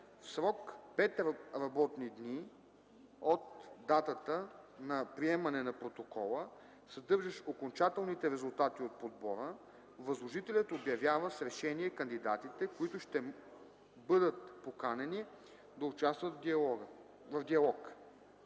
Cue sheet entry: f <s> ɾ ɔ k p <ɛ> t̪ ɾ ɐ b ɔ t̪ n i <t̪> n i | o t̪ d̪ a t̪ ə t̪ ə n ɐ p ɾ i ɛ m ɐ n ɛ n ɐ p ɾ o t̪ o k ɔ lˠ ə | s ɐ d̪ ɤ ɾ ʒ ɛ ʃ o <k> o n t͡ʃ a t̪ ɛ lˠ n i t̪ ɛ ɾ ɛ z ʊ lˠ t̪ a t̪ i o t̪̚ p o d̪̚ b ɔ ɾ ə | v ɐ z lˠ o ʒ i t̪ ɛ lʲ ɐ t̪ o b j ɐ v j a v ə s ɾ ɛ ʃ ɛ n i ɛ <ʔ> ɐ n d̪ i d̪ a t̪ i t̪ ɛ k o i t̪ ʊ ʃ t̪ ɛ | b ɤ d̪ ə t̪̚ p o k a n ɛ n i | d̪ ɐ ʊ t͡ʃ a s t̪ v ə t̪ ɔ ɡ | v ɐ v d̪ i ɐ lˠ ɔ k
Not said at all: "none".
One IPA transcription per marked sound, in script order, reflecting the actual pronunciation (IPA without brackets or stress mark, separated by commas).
s, ɛ, d̪, k, k